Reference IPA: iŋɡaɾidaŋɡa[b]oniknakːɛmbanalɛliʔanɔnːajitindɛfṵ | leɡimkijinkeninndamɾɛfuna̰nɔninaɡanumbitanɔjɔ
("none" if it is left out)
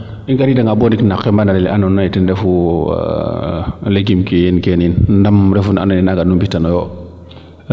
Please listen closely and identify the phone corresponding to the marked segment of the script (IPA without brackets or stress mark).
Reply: b